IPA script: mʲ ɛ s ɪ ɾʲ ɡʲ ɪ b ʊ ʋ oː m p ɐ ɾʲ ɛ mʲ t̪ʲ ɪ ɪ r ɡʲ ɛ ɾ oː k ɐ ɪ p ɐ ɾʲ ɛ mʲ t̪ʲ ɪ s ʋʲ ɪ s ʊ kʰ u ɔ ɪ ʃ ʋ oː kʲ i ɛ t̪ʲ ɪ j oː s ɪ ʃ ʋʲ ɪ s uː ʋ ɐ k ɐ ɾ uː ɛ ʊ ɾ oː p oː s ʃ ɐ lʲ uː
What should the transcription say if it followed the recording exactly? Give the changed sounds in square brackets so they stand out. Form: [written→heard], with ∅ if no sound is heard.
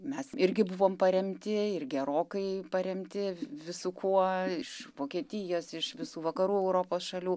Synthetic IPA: mʲ ɛ s ɪ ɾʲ ɡʲ ɪ b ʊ ʋ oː m p ɐ ɾʲ ɛ mʲ t̪ʲ ɪ ɪ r ɡʲ ɛ ɾ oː k ɐ ɪ p ɐ ɾʲ ɛ mʲ t̪ʲ ɪ [s→∅] ʋʲ ɪ s ʊ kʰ u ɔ ɪ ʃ ʋ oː kʲ i ɛ t̪ʲ ɪ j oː s ɪ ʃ ʋʲ ɪ s uː ʋ ɐ k ɐ ɾ uː ɛ ʊ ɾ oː p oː s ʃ ɐ lʲ uː